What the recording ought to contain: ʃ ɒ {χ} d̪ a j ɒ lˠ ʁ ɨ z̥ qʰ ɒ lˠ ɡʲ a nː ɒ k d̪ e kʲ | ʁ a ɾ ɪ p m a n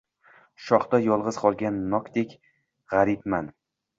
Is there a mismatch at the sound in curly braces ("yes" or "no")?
no